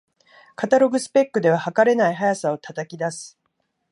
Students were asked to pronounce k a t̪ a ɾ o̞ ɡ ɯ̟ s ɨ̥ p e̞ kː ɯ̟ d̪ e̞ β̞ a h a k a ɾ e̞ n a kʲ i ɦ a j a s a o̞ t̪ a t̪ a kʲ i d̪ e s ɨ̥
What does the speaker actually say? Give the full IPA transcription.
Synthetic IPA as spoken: k a t̪ a ɾ o̞ ɡ ɯ̟ s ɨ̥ p e̞ kː ɯ̟ d̪ e̞ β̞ a h a k a ɾ e̞ n a i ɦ a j a s a o̞ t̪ a t̪ a kʲ i d̪ a s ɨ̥